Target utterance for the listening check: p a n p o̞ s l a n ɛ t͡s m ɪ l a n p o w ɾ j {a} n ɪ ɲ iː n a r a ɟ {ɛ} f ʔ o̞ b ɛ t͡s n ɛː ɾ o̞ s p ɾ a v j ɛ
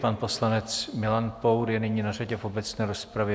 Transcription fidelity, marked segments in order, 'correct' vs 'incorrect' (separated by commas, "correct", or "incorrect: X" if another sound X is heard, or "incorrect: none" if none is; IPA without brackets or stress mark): incorrect: ɛ, correct